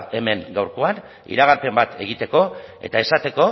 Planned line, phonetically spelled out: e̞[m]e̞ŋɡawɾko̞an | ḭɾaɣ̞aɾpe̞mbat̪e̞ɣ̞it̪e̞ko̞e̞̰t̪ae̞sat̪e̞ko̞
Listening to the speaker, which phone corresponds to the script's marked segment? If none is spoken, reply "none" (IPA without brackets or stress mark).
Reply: m